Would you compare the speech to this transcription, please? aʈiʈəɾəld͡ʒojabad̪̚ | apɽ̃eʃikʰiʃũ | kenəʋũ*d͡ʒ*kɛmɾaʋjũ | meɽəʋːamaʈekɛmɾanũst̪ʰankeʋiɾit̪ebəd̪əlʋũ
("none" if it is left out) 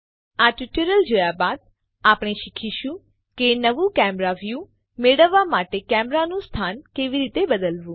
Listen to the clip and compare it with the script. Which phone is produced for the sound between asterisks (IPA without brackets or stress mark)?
none